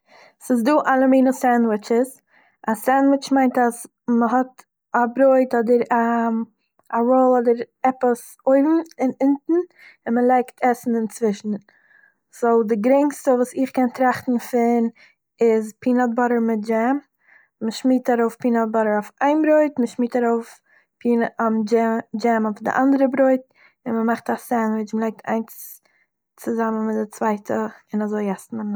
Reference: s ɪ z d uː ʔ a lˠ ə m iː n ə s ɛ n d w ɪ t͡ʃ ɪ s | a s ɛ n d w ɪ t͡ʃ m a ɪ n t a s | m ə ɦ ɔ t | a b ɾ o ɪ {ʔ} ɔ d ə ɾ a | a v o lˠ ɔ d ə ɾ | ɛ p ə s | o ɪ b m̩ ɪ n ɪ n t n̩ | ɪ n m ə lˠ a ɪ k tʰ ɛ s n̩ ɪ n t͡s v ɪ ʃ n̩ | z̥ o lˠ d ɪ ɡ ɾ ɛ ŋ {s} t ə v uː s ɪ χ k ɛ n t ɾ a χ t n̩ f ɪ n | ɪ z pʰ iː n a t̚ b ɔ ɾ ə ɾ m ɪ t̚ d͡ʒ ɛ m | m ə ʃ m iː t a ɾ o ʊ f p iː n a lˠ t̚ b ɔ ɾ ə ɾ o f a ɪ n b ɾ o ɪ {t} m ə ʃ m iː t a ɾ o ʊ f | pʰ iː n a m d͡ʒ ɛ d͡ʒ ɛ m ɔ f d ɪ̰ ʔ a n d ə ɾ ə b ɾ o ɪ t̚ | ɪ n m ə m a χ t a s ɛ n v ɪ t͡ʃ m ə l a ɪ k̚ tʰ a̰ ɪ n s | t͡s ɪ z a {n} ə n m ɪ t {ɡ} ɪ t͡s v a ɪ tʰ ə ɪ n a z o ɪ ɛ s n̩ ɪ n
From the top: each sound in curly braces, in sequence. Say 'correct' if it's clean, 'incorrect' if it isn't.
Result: incorrect: t, correct, correct, incorrect: m, incorrect: d

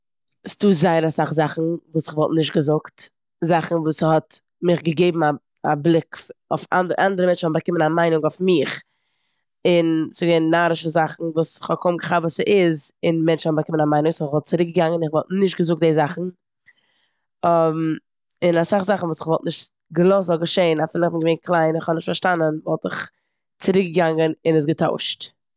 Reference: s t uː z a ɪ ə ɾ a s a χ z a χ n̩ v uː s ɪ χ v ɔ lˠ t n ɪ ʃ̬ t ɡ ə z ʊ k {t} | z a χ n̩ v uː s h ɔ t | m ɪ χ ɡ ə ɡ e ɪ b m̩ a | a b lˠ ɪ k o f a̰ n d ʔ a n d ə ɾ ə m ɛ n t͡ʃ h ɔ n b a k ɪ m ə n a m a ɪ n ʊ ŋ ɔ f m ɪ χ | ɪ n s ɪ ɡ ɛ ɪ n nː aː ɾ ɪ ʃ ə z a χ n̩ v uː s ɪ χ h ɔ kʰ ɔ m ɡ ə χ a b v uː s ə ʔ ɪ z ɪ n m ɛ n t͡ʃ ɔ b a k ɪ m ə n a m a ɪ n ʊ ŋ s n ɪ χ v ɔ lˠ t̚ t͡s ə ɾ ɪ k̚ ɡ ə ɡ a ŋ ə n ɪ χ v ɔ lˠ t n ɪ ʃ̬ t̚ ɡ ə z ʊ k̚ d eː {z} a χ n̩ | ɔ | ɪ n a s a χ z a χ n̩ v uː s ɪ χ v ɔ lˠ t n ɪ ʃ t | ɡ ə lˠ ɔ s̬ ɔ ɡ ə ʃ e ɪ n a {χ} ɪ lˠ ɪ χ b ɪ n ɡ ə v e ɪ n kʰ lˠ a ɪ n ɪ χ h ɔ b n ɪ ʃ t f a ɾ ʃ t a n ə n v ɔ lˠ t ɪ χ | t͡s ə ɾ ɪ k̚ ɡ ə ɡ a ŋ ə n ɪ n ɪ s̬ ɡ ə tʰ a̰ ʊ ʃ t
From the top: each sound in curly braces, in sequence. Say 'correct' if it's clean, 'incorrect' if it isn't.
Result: correct, correct, incorrect: f

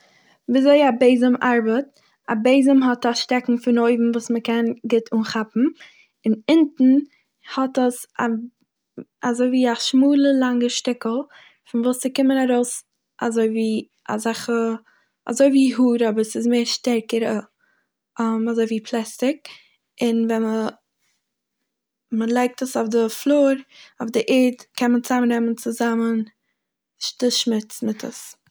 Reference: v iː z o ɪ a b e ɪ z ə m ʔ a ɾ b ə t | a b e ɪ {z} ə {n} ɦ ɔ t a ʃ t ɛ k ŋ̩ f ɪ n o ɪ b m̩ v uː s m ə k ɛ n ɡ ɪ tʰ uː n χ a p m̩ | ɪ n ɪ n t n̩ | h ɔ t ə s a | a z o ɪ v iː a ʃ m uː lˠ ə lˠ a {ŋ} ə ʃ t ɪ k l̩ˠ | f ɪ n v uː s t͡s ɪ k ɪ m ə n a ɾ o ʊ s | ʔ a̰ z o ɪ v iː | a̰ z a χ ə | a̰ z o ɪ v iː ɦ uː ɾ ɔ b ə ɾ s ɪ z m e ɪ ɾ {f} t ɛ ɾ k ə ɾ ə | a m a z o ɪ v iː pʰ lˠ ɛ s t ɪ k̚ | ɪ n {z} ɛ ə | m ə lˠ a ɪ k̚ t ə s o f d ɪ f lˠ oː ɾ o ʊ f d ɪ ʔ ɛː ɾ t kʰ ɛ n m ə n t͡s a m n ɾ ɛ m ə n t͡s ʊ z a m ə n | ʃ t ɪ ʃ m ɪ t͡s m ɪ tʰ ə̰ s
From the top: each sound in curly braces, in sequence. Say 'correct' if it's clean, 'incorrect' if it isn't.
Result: correct, incorrect: m, correct, incorrect: ʃ, incorrect: v

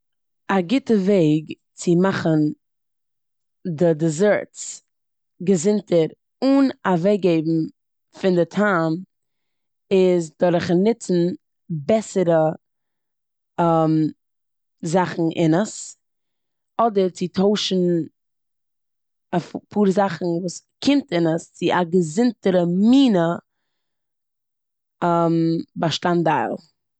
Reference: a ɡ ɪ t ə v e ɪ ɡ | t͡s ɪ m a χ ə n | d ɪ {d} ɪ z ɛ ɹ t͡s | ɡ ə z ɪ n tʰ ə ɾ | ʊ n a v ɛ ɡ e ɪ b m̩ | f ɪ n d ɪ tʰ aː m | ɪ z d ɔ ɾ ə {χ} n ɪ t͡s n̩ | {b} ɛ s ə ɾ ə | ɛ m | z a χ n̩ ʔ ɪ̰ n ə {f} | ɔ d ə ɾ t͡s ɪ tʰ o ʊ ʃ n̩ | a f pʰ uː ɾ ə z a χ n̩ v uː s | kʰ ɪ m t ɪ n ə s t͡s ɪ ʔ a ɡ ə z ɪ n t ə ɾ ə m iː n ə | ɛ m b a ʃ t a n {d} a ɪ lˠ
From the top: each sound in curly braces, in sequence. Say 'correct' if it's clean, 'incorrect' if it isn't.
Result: correct, correct, correct, incorrect: s, correct

